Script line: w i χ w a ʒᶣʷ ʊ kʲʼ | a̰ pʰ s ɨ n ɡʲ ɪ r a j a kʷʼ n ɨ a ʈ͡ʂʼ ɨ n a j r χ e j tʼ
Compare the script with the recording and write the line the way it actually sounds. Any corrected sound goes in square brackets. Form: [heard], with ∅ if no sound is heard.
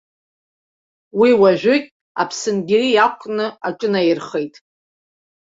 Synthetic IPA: w i [∅] w a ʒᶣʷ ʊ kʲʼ | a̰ pʰ s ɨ n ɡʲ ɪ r [i] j a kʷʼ n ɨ a ʈ͡ʂʼ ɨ n a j r χ e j tʼ